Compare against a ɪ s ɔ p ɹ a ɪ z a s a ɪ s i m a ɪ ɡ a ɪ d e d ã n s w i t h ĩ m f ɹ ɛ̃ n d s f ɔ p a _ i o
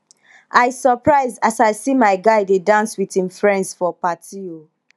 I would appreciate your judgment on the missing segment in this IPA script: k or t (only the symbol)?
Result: t